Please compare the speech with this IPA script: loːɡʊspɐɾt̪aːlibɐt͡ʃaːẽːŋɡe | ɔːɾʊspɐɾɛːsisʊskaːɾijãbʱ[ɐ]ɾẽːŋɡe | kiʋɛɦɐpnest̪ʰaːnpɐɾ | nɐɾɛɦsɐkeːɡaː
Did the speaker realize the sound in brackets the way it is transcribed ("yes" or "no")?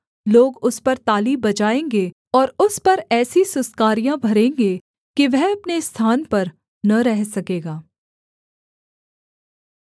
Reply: yes